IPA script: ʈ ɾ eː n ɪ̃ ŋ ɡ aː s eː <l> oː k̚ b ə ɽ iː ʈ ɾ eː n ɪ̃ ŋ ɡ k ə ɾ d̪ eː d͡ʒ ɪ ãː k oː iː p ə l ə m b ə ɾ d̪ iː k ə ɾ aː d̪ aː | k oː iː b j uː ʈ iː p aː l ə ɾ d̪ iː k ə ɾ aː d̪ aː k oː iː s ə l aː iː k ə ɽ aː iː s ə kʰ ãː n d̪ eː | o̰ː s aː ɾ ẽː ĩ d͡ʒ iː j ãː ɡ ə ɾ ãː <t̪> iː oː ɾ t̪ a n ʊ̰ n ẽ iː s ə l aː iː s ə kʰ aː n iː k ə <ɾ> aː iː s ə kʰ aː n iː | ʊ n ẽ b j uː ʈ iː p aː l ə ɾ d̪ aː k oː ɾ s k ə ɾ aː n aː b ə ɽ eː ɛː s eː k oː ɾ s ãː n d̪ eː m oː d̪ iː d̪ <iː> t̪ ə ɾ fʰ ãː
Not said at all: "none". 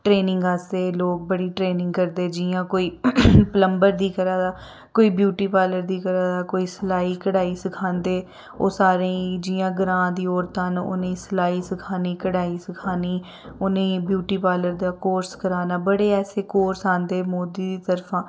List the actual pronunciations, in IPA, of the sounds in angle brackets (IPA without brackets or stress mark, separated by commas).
l, d̪, ɽ, iː